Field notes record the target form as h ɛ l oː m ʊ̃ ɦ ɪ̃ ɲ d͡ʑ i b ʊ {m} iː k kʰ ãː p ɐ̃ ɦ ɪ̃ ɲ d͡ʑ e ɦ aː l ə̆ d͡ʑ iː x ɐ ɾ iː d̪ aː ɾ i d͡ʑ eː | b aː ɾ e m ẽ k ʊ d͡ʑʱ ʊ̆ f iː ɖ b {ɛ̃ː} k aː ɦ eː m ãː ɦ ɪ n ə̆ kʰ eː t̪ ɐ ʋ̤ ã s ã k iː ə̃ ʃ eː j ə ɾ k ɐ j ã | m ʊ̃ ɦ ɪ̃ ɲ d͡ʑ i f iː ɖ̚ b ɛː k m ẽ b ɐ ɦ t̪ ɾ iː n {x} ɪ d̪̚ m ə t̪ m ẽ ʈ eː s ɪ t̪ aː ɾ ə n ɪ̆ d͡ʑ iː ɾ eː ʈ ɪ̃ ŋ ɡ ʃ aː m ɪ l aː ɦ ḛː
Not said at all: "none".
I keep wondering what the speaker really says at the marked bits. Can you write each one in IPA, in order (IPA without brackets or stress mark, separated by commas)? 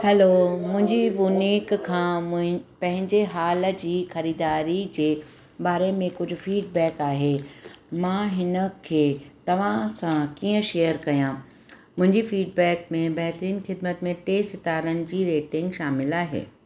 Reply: n, ɛː, x